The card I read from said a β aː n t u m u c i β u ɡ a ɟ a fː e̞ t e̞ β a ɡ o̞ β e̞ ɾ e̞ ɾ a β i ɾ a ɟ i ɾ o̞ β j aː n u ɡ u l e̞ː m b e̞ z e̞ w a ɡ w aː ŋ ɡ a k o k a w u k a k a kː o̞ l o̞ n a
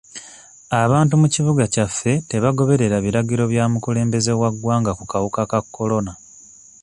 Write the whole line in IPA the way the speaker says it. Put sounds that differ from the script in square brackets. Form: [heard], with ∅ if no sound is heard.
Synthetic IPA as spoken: a β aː n t u m u c i β u ɡ a [c] a fː e̞ t e̞ β a ɡ o̞ β e̞ ɾ e̞ ɾ a β i ɾ a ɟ i ɾ o̞ β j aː [m] u [k] u l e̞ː m b e̞ z e̞ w a ɡ w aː ŋ ɡ a k [u] k a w u k a k a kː o̞ l o̞ n a

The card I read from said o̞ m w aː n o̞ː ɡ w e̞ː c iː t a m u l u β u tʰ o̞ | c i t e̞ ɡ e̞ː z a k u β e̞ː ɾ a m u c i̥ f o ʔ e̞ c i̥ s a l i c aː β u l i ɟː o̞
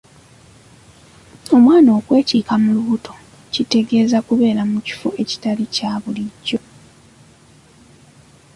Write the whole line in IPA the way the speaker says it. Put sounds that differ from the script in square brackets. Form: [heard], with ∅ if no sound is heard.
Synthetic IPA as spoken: o̞ m w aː n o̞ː [k] w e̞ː c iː [k] a m u l u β u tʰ o̞ | c i t e̞ ɡ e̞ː z a k u β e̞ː ɾ a m u c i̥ f o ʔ e̞ c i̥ [t] a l i c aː β u l i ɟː o̞

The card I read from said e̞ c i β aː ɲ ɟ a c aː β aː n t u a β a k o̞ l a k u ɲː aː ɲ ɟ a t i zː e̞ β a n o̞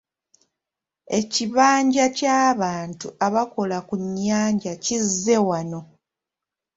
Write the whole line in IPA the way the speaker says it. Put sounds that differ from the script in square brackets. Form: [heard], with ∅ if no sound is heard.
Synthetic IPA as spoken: e̞ c i β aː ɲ ɟ a c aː β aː n t u a β a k o̞ l a k u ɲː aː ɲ ɟ a [c] i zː e̞ [w] a n o̞

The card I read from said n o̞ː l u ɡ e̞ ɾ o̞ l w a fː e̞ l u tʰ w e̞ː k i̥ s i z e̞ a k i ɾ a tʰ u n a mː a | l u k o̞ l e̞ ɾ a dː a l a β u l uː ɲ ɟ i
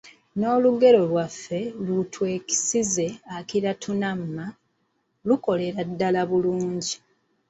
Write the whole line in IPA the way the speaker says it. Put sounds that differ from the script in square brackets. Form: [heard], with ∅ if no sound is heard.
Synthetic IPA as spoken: n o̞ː l u ɡ e̞ ɾ o̞ l w a fː e̞ l u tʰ w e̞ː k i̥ s i z e̞ a k i ɾ a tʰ u n a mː a | l u k o̞ l e̞ ɾ a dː a l a β u l uː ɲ ɟ i

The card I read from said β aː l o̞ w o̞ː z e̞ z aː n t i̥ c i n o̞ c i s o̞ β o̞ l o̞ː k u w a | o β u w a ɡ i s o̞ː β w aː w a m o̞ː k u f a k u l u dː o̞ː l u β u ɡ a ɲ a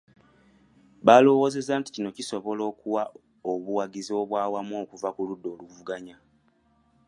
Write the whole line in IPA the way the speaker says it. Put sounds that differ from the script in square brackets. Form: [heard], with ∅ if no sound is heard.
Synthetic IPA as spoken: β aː l o̞ w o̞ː z e̞ z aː n t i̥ c i n o̞ c i s o̞ β o̞ l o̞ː k u w a | o β u w a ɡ i [z] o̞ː β w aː w a m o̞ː k u [v] a k u l u dː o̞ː l u [v] u ɡ a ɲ a

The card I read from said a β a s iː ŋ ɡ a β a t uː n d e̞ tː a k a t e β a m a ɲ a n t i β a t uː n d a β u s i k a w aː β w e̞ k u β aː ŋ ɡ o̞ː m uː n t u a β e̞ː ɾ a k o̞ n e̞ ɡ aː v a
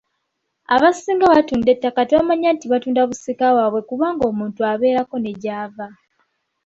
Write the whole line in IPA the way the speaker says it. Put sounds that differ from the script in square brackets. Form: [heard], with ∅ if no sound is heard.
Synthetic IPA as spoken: a β a s iː ŋ ɡ a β a t uː n d e̞ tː a k a t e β a m a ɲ a n t i β a t uː n d a β u s i k a w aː β w e̞ k u β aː ŋ ɡ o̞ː m uː n t u a β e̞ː ɾ a k o̞ n e̞ [ɟ] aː v a

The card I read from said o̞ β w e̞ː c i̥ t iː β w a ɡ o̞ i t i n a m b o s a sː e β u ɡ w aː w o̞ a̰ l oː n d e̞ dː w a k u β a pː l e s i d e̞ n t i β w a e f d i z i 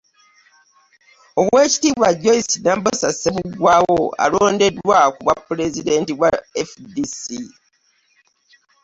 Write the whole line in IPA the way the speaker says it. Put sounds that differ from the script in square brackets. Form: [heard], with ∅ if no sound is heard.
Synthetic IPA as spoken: o̞ β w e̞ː c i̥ t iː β w a [ɟ] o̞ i [s] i n a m b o s a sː e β u ɡ w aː w o̞ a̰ l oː n d e̞ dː w a k u β a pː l e [z] i d e̞ n t i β w a e f d i [s] i

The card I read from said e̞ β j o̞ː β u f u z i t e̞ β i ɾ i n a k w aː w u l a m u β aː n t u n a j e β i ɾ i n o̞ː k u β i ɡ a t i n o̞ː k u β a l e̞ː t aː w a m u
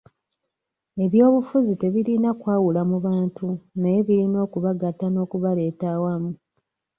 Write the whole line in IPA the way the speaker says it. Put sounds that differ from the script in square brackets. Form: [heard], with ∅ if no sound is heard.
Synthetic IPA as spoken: e̞ β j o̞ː β u f u z i t e̞ β i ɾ i n a k w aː w u l a m u β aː n t u n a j e β i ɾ i n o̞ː k u β [a] ɡ a t [a] n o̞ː k u β a l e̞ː t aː w a m u

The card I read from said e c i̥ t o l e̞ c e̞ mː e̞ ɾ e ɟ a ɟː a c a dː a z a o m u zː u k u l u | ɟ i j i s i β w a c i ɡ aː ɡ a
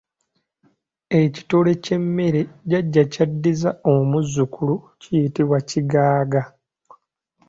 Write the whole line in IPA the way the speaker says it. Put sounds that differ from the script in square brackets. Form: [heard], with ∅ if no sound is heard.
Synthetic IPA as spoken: e c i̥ t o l e̞ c e̞ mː e̞ ɾ e ɟ a ɟː a c a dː [i] z a o m u zː u k u l u | [c] i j i [t] i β w a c i ɡ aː ɡ a

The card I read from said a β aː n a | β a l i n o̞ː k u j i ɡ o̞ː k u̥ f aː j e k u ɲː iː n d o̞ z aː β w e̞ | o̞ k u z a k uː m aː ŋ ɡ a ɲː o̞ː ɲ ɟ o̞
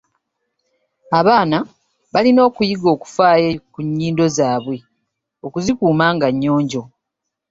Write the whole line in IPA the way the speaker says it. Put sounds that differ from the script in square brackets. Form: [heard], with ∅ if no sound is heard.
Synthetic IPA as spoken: a β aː n a | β a l i n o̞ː k u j i ɡ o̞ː k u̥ f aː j e k u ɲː iː n d o̞ z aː β w e̞ | o̞ k u z [i] k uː m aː ŋ ɡ a ɲː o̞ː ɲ ɟ o̞

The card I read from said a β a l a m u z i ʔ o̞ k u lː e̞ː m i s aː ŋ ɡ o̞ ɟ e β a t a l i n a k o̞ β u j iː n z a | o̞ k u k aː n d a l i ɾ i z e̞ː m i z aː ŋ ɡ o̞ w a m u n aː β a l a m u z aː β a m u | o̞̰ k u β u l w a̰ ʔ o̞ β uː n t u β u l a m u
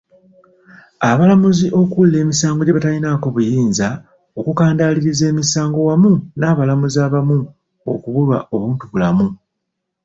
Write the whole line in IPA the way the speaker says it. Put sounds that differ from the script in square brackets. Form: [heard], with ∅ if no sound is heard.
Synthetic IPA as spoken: a β a l a m u z i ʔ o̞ k u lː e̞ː m i s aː ŋ ɡ o̞ ɟ e β a t a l i n a k o̞ β u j iː n z a | o̞ k u k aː n d a l i ɾ i z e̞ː m i [s] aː ŋ ɡ o̞ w a m u n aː β a l a m u z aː β a m u | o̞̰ k u β u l w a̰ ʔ o̞ β uː n t u β u l a m u

